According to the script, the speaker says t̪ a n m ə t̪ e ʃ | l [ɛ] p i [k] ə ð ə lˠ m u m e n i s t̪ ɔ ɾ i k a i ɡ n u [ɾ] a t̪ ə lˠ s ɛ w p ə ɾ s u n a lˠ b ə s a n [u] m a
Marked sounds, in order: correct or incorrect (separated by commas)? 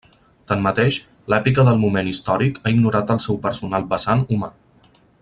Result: correct, correct, correct, correct